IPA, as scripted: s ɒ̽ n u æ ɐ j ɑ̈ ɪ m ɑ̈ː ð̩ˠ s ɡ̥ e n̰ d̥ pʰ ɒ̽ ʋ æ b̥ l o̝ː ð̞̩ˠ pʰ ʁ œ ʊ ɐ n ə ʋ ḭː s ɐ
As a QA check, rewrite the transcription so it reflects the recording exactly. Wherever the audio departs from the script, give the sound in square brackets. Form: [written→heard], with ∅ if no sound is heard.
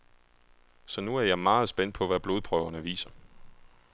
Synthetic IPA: s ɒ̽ n u æ ɐ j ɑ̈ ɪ m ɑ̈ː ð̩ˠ s [ɡ̥→b̥] e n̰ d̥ pʰ ɒ̽ ʋ æ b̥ l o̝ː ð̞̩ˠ pʰ ʁ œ ʊ ɐ n ə ʋ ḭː s ɐ